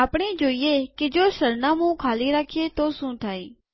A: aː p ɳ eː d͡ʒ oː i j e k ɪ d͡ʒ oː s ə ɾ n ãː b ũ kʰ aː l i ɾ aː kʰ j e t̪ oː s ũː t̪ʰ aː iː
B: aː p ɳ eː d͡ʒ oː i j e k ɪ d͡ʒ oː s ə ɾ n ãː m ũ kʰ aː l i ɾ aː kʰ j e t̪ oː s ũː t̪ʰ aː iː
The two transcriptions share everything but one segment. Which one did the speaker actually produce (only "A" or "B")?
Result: B